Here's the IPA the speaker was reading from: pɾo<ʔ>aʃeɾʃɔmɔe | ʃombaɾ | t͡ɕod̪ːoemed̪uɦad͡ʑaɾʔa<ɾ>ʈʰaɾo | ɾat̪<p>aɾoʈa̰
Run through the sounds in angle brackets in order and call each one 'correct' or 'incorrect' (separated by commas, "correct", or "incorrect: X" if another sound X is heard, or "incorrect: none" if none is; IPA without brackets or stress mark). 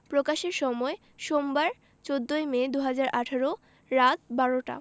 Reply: incorrect: k, incorrect: none, incorrect: b